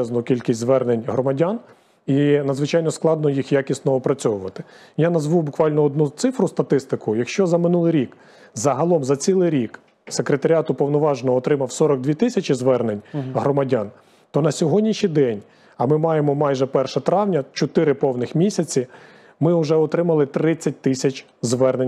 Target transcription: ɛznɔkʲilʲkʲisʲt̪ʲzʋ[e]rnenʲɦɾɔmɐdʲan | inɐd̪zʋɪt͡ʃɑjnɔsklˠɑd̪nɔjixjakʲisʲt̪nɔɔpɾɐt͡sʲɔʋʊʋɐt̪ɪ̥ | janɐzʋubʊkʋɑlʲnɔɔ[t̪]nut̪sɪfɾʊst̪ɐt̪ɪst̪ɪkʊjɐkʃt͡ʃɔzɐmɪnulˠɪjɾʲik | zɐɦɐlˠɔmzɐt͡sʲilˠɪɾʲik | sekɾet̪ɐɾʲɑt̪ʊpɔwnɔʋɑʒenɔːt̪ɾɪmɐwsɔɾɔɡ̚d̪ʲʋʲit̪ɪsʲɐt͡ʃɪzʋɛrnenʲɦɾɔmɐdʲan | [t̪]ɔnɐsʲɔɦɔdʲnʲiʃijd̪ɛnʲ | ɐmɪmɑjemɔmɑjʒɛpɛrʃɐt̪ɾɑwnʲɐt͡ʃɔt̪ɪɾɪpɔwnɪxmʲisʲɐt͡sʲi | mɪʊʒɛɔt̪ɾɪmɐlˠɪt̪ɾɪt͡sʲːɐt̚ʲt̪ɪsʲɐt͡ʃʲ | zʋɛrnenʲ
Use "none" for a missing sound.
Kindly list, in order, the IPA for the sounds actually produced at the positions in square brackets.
ɛ, d̪, t̪

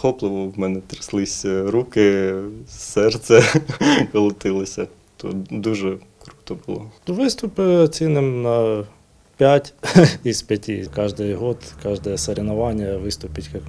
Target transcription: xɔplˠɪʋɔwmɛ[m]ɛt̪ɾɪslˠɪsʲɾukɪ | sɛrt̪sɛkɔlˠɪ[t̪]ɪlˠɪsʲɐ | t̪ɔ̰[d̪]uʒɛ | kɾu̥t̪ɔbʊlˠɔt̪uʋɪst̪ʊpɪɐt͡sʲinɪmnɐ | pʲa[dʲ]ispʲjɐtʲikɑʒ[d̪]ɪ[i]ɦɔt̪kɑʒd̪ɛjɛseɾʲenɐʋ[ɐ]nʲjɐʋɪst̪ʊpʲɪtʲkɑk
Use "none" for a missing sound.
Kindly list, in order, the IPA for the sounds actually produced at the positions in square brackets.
n, t̪, d̪, tʲ, d̪, j, ɑ

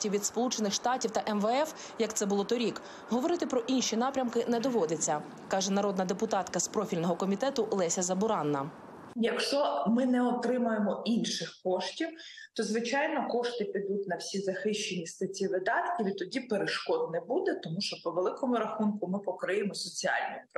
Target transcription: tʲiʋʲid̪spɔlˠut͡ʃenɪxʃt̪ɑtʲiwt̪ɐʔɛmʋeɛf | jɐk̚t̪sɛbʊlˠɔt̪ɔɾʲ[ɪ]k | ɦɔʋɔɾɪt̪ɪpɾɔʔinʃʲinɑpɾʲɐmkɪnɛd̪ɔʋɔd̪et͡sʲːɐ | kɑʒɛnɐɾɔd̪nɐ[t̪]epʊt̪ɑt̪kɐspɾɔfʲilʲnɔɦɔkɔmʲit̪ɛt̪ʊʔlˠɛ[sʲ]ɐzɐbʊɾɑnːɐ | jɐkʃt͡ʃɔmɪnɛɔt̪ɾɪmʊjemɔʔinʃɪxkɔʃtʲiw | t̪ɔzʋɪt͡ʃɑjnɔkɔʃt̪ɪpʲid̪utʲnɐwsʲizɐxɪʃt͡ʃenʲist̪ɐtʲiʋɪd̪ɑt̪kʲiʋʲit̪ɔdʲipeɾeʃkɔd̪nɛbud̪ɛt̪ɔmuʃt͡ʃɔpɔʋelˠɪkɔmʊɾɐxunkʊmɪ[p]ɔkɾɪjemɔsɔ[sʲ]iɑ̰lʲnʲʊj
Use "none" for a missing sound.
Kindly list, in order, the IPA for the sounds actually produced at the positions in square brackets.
i, d̪, sʲ, p, t͡sʲ

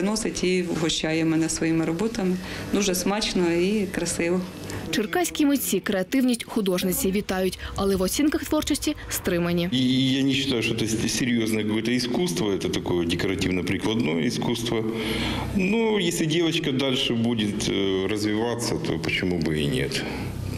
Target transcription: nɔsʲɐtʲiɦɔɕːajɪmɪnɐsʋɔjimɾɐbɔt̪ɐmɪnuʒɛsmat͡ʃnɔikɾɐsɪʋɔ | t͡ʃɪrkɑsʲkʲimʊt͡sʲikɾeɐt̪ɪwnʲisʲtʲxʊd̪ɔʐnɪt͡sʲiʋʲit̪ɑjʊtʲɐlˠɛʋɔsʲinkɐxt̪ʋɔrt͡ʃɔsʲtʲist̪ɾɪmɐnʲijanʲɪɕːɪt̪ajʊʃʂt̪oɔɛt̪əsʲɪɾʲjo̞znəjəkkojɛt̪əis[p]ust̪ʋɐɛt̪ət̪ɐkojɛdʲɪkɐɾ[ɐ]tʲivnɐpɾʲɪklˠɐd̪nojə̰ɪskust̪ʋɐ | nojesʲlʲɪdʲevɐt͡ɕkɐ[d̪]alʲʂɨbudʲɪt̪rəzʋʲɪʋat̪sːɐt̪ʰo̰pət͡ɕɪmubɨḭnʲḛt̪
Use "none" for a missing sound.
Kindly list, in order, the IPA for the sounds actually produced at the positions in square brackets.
k, ɐ, d̪

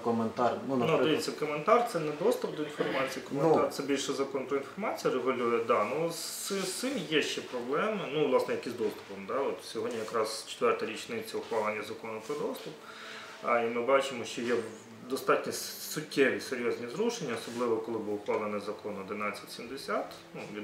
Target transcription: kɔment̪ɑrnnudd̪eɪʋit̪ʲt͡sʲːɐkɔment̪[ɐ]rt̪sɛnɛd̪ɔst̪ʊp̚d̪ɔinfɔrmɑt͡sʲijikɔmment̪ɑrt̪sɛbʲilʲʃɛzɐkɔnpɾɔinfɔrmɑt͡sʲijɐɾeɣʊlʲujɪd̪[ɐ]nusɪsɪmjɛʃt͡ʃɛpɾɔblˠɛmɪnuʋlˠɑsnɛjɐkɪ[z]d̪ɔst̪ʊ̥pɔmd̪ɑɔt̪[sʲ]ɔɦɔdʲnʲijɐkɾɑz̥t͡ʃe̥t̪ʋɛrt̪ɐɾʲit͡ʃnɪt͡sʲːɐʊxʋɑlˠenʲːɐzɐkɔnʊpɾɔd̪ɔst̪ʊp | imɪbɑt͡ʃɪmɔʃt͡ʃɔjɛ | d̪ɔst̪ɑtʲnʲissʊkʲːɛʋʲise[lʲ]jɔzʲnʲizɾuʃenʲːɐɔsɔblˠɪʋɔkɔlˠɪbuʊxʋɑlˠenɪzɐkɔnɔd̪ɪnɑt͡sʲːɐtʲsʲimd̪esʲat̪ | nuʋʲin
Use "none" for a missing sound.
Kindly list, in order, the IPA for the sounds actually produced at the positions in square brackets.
ɑ, ɑ, z, sʲ, ɾʲ

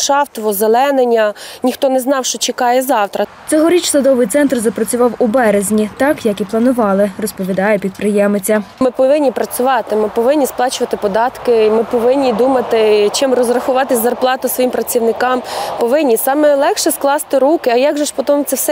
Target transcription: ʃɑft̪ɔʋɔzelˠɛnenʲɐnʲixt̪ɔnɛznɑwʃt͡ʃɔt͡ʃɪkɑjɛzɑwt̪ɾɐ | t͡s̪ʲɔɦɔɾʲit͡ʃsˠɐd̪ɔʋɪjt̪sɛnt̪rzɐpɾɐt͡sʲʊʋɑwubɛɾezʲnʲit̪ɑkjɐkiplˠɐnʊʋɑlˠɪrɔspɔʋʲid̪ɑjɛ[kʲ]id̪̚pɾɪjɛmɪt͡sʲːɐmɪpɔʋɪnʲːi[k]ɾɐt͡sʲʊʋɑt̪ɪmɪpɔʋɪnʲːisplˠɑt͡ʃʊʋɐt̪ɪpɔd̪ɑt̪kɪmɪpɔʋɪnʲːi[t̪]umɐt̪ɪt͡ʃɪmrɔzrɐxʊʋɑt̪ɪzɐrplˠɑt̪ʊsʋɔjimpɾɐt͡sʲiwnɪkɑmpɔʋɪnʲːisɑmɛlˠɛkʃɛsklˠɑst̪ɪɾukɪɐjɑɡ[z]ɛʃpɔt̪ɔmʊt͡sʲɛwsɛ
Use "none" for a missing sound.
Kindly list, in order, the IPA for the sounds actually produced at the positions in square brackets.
pʲ, p, d̪, ʒ

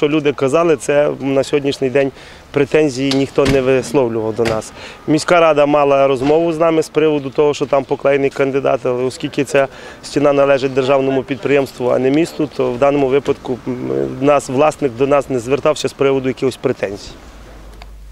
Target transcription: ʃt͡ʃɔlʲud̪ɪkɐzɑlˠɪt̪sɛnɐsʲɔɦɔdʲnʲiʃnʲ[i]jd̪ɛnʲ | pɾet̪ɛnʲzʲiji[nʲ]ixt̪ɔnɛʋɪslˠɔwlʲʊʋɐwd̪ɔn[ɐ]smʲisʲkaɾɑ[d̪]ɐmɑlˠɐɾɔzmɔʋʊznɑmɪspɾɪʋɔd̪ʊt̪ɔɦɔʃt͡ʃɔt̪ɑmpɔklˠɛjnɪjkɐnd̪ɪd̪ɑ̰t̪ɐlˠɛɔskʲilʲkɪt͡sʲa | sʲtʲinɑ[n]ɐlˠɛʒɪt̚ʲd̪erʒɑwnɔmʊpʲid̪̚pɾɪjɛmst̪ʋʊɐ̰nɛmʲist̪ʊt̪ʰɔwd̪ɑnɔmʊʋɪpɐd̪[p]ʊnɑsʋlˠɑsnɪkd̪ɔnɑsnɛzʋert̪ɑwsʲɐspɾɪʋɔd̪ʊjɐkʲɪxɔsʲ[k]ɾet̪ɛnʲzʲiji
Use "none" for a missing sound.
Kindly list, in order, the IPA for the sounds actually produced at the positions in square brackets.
ɪ, nʲ, ɑ, d̪, n, k, p

